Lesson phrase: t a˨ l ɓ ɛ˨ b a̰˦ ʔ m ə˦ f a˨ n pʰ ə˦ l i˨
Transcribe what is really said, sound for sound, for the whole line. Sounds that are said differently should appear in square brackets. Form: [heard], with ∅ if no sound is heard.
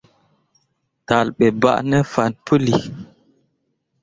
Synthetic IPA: t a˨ l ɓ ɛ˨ b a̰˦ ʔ [n] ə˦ f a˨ n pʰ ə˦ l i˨